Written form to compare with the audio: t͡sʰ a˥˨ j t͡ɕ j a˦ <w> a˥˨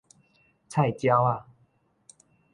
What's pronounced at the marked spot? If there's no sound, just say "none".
w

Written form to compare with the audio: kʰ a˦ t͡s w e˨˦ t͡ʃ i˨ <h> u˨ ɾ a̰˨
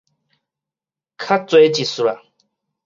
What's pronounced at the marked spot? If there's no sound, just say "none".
s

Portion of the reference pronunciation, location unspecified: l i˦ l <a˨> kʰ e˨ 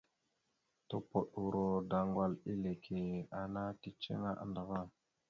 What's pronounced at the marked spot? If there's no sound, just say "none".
e˨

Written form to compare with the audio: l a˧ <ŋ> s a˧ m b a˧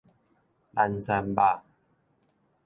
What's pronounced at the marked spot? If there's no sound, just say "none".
n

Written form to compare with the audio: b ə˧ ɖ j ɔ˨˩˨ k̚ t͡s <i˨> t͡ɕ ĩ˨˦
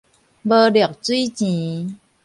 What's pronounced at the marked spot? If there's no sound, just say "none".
i˦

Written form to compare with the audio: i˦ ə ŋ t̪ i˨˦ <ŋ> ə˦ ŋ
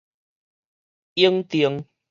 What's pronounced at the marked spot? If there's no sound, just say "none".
none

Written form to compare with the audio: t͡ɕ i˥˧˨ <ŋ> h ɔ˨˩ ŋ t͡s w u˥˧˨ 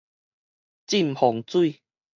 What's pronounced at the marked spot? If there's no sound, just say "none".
m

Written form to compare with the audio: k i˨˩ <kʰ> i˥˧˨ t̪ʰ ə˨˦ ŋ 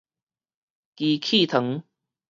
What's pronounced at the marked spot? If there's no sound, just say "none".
kʰ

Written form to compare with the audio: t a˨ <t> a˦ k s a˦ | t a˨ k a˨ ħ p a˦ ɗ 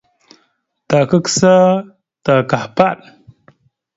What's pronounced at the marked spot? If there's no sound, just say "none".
k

